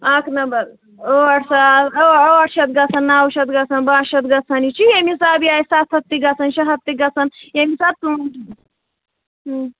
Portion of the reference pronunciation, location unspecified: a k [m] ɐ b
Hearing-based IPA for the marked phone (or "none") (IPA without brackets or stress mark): n